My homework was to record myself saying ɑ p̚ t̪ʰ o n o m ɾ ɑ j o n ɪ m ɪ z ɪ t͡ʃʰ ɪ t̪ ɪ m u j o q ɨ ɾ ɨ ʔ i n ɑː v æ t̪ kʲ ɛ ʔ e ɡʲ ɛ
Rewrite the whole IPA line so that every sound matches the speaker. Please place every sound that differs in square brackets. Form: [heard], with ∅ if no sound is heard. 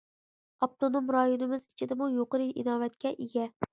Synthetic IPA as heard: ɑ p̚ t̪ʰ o n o m ɾ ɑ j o n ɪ m ɪ z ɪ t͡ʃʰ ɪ [d̪] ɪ m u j o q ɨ ɾ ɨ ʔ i n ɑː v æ t̪ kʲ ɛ ʔ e ɡʲ ɛ